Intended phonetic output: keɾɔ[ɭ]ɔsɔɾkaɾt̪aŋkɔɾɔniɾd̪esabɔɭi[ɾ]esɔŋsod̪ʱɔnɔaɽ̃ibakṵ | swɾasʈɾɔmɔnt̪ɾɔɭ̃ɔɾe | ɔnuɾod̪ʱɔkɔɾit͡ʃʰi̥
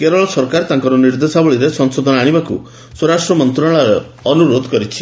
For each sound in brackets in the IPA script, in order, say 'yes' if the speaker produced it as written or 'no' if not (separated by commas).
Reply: yes, yes